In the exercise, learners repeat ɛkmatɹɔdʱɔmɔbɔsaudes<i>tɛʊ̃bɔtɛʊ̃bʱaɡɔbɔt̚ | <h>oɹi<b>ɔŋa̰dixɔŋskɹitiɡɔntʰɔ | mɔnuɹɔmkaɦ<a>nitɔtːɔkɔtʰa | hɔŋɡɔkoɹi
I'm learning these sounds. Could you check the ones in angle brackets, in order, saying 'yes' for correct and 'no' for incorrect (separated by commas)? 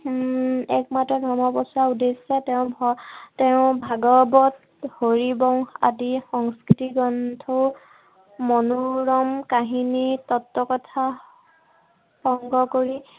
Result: no, yes, yes, no